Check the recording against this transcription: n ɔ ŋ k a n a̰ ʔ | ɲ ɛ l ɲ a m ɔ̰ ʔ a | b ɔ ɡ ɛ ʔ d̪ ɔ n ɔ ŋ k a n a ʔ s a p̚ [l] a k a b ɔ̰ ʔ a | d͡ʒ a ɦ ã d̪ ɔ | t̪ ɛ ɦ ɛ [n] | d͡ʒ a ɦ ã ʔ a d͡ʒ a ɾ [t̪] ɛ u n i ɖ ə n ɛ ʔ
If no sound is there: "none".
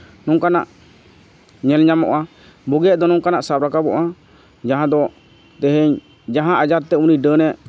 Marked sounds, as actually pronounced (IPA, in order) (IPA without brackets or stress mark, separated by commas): ɾ, ɲ, t̪